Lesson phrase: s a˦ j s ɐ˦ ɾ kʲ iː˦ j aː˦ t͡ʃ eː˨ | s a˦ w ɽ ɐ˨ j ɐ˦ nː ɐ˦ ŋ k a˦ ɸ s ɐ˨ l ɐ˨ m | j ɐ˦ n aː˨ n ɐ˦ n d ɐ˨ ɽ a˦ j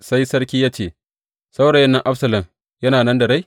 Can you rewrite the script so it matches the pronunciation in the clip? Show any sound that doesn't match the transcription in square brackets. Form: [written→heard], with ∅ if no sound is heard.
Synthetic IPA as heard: s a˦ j s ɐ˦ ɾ kʲ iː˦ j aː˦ t͡ʃ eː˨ | s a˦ w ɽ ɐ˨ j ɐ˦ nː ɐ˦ ŋ [k→ʔ] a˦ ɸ s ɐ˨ l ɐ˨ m | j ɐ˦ n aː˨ n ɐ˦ n d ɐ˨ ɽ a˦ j